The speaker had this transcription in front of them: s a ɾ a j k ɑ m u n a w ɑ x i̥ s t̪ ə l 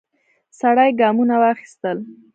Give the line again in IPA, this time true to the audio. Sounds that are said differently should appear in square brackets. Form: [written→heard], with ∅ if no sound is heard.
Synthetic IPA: s a [ɾ→ɽ] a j [k→ɡ] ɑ m u n a w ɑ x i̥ s t̪ ə l